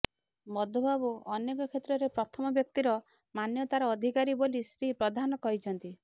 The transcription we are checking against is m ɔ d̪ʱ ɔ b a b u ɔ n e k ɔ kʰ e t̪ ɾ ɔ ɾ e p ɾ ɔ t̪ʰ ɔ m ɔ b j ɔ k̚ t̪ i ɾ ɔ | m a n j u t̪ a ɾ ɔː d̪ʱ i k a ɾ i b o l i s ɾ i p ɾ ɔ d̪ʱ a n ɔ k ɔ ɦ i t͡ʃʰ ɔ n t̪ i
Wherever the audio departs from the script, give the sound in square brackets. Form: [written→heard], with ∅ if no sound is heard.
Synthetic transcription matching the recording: m ɔ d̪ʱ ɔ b a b u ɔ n e k ɔ kʰ e t̪ ɾ ɔ ɾ e p ɾ ɔ t̪ʰ ɔ m ɔ b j ɔ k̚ t̪ i ɾ ɔ | m a n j [u→ɔ] t̪ a ɾ ɔː d̪ʱ i k a ɾ i b o l i s ɾ i p ɾ ɔ d̪ʱ a n ɔ k ɔ ɦ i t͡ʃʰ ɔ n t̪ i